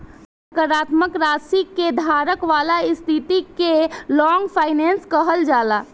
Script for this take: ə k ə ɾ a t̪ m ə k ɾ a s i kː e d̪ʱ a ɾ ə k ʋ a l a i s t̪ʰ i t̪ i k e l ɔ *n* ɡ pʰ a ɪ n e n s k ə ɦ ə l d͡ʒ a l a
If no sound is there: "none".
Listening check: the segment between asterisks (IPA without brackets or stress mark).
ŋ